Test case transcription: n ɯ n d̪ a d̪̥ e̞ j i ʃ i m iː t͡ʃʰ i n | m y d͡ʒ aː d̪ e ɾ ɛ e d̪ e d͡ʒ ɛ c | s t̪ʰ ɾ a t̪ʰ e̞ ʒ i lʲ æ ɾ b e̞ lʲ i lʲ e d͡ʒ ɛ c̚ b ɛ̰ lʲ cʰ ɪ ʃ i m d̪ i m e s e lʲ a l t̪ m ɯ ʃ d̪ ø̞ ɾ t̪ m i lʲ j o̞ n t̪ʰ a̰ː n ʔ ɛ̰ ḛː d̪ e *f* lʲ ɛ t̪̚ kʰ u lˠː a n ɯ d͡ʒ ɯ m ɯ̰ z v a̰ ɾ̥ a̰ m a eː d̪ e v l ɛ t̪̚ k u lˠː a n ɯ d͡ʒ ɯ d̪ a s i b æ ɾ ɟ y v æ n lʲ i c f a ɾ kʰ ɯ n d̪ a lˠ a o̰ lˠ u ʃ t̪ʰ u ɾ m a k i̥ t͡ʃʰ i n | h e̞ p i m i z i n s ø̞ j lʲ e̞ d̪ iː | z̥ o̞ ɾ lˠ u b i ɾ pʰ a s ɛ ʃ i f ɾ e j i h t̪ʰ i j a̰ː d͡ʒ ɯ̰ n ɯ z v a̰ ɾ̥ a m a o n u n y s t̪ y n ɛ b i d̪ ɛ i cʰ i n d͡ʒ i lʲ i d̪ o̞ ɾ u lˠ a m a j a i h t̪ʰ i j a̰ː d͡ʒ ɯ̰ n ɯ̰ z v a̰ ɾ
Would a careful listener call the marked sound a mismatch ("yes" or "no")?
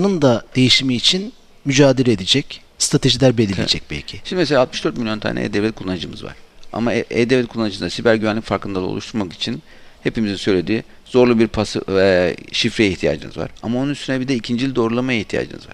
yes